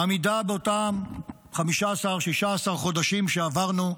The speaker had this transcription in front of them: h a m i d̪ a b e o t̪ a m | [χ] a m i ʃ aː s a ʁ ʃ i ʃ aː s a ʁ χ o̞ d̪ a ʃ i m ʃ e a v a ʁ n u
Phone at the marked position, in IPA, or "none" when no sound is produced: χ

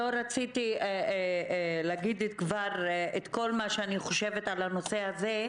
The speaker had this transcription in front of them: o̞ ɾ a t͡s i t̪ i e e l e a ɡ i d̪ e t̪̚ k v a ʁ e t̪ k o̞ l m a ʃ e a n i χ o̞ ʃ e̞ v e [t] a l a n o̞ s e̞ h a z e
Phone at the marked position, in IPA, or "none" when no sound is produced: t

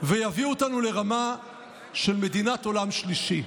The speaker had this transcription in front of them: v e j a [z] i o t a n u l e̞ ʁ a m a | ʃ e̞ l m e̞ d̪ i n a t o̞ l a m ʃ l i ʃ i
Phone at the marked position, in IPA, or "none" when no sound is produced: v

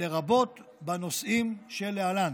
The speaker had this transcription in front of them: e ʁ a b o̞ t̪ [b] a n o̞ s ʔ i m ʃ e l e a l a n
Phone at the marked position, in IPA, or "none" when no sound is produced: b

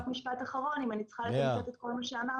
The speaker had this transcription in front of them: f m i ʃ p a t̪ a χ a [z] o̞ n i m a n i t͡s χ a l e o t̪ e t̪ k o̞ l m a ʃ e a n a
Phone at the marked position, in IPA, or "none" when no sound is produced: ʁ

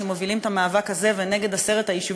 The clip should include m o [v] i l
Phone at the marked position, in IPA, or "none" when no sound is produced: v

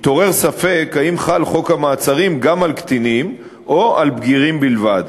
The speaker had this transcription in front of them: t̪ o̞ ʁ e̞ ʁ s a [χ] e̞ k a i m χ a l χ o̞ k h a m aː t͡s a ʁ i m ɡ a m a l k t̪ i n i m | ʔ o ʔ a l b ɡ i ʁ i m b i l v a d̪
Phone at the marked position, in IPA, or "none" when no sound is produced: f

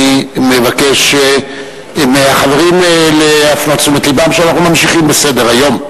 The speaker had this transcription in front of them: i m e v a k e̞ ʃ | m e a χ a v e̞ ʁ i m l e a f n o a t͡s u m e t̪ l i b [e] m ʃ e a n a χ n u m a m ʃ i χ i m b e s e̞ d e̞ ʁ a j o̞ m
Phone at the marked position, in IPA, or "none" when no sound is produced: a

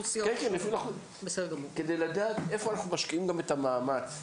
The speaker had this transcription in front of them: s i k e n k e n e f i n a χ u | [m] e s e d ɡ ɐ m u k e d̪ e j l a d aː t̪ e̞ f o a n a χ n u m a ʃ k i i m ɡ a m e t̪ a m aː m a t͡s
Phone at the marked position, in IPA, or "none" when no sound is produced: b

